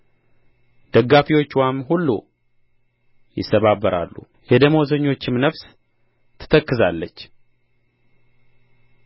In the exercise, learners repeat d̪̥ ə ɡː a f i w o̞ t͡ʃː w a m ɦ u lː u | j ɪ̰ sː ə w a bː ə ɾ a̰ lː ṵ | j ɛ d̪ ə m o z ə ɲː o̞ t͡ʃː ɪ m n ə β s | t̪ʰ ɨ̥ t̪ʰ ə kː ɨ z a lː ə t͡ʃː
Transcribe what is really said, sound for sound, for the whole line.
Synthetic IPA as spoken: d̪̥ ə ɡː a f i w o̞ t͡ʃː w a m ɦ u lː u | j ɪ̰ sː ə β a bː ə ɾ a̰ lː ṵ | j ɛ d̪ ə m o z ə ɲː o̞ t͡ʃː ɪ m n ə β s | t̪ʰ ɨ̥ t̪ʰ ə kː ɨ z a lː ə t͡ʃː